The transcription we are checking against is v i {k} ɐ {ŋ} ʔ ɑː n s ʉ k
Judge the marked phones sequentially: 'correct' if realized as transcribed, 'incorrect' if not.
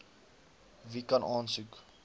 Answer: correct, incorrect

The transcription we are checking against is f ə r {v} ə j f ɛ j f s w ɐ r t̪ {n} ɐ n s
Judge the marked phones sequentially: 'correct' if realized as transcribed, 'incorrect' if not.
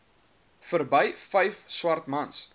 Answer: incorrect, incorrect

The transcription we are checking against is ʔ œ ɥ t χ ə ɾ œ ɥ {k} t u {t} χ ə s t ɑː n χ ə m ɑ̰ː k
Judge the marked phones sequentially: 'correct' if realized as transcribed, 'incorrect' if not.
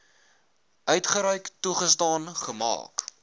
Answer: correct, incorrect

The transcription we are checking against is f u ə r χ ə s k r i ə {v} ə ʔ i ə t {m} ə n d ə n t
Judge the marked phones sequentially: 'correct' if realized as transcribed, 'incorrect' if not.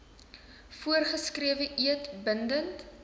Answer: correct, incorrect

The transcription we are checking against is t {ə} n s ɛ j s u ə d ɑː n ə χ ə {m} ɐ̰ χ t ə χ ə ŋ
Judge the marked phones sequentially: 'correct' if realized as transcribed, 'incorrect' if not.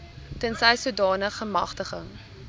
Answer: correct, correct

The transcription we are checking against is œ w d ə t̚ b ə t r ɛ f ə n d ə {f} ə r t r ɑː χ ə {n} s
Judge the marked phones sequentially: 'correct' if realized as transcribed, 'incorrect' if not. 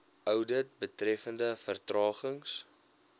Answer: correct, incorrect

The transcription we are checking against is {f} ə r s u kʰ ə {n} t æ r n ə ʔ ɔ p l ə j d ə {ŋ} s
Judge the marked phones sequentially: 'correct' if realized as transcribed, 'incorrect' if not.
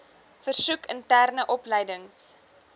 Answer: correct, correct, correct

